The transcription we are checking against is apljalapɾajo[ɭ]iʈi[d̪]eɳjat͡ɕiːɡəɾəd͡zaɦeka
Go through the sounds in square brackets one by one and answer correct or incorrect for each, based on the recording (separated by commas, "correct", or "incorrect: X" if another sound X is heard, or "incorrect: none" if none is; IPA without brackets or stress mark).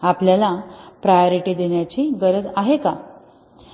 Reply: incorrect: ɾ, correct